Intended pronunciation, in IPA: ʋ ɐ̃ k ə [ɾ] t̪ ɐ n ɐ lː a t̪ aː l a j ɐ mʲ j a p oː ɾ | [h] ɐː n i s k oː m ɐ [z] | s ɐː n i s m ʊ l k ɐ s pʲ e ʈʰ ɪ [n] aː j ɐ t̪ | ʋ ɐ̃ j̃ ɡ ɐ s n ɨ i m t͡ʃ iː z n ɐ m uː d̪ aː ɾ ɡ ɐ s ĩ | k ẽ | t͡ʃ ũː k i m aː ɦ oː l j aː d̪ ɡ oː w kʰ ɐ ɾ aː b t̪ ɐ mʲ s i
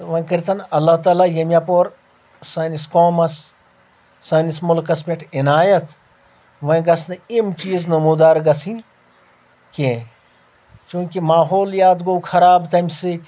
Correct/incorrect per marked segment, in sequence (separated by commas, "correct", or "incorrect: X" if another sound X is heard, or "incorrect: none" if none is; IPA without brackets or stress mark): correct, incorrect: s, incorrect: s, correct